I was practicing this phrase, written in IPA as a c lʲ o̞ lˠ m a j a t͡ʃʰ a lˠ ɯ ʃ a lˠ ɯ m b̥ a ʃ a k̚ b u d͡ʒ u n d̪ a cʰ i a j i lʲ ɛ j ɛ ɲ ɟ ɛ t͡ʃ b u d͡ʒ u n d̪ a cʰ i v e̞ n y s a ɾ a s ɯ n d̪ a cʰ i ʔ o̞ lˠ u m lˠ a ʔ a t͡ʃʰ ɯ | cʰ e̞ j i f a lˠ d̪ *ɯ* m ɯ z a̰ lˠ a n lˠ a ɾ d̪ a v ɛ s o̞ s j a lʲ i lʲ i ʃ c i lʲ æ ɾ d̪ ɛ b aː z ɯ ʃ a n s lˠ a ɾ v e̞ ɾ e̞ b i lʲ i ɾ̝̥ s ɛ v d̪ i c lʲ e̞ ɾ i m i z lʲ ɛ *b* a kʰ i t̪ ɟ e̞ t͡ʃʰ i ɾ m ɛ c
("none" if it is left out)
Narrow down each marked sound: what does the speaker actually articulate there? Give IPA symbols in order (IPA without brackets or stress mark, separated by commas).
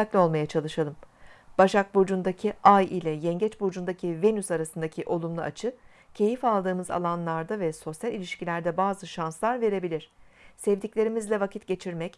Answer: ɯː, v